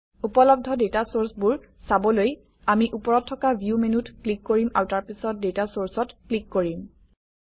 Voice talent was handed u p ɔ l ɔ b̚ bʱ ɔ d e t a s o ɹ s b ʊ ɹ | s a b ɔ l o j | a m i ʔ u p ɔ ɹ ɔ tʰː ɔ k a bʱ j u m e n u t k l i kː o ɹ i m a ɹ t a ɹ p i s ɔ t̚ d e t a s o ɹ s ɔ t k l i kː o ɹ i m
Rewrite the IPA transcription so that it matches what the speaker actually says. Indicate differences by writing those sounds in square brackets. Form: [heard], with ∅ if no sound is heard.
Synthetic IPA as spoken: u p ɔ l ɔ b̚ [dʱ] ɔ d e t a s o ɹ s b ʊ ɹ | s a b ɔ l o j | a m i ʔ u p ɔ ɹ ɔ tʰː ɔ k a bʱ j u m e n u t k l i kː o ɹ i m a ɹ t a ɹ p i s ɔ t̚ d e t a s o ɹ s ɔ t k l i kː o ɹ i m